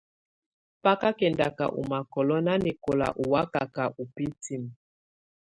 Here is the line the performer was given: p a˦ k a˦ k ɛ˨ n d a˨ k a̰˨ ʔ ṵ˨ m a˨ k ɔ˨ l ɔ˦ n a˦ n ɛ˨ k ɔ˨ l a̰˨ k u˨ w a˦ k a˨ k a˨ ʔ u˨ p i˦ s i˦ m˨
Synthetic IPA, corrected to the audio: p a˦ k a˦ k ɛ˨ n d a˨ k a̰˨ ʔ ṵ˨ m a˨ k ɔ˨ l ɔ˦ n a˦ n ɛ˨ k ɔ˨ l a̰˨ ʔ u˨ w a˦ k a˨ k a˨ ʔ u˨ p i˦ t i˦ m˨